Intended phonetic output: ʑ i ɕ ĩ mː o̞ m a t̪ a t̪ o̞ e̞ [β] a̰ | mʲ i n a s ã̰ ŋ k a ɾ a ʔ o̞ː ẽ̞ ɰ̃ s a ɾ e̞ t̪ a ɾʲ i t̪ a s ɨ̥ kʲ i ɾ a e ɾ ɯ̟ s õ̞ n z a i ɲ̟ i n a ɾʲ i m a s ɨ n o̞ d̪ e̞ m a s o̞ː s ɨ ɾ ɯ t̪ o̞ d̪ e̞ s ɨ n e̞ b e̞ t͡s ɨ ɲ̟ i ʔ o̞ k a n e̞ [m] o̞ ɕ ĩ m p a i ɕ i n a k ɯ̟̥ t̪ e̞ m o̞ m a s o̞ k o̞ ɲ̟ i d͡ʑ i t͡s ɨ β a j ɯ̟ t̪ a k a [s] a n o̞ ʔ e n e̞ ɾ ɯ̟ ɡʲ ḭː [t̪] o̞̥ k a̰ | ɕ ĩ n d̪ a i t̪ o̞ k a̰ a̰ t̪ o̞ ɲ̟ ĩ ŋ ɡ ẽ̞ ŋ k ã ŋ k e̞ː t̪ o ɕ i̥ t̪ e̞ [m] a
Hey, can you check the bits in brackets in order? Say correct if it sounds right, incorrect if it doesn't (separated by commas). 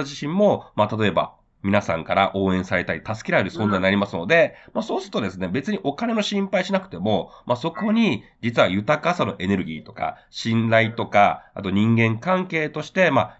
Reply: incorrect, incorrect, correct, correct, correct